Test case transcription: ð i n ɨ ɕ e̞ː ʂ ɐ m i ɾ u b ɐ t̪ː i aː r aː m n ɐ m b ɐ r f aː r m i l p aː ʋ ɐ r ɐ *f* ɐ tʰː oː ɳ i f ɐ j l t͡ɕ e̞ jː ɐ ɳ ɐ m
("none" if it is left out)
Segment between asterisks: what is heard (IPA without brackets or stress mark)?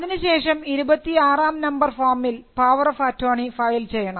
f